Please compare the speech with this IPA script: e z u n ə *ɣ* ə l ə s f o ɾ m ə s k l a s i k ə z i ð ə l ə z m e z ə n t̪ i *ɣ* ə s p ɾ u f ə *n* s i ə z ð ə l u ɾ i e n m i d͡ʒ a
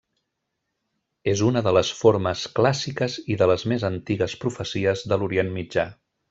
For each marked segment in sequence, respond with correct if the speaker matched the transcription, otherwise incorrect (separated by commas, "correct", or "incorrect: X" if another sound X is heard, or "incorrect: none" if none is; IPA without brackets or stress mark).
incorrect: ð, correct, incorrect: none